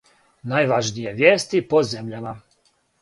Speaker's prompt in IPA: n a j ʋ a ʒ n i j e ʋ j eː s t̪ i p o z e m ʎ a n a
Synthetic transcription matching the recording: n a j ʋ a ʒ n i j e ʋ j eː s t̪ i p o z e m ʎ a m a